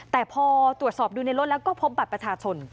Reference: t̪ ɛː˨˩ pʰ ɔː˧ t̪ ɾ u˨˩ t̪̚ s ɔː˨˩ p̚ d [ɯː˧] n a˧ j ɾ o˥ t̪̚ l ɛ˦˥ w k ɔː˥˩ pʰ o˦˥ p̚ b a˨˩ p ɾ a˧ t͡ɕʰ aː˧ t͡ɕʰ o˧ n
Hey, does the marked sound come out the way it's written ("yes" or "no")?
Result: no